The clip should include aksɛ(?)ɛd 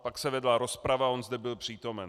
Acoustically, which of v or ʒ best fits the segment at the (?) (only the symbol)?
v